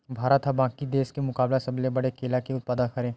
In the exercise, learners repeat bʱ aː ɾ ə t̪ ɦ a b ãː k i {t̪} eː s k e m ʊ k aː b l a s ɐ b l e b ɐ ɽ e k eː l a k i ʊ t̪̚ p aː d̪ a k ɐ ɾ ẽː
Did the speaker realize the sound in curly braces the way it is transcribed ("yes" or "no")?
no